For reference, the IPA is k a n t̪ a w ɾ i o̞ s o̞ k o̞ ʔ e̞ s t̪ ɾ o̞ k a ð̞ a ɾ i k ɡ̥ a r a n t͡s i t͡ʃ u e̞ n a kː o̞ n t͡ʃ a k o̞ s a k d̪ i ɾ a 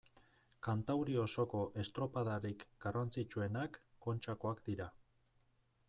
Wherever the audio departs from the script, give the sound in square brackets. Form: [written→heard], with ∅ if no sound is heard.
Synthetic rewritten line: k a n t̪ a w ɾ i o̞ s o̞ k o̞ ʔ e̞ s t̪ ɾ o̞ [k→p] a ð̞ a ɾ i k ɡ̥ a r a n t͡s i t͡ʃ u e̞ n a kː o̞ n t͡ʃ a k o̞ [s→∅] a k d̪ i ɾ a